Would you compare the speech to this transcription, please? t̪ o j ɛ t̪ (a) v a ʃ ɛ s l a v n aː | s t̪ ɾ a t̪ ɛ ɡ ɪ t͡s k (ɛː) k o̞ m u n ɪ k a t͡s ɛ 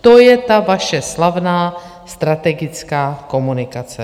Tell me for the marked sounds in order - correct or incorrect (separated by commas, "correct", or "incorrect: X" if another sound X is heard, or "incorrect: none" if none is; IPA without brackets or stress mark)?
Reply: correct, incorrect: aː